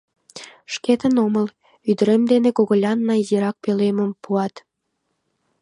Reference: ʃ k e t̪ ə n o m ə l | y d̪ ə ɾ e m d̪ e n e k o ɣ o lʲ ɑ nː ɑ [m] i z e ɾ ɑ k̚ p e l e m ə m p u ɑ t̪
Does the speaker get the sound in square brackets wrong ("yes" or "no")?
yes